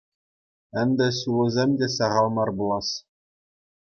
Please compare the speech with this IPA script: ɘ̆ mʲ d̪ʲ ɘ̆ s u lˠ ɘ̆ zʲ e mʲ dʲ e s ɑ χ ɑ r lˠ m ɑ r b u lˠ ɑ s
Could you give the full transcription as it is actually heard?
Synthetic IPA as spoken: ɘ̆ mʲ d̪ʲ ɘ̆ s u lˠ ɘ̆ zʲ e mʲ dʲ e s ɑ ʁ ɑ lˠ m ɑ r b u lˠ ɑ s